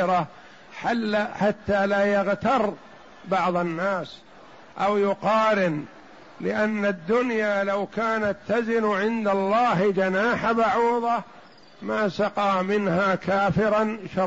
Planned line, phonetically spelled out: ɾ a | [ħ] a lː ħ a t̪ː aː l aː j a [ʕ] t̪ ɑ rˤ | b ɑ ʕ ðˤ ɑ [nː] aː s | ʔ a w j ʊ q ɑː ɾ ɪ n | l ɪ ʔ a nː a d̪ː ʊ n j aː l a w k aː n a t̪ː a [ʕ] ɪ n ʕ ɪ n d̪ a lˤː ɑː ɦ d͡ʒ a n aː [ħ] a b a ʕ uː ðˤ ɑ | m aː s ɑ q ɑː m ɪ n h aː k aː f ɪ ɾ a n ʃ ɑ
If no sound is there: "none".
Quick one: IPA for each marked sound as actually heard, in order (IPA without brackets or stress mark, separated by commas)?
ħ, ɣ, nː, z, ħ